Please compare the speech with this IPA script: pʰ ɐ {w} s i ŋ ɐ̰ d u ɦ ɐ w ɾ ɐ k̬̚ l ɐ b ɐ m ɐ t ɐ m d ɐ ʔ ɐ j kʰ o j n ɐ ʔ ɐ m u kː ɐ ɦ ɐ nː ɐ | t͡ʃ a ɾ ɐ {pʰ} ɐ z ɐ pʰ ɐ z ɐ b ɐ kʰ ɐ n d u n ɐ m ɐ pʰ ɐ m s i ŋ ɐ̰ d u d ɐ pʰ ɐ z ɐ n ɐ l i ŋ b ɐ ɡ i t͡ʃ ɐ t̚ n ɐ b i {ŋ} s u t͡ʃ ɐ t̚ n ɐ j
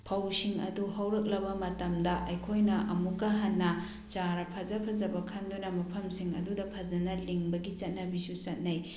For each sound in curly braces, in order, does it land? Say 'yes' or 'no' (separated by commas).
yes, yes, no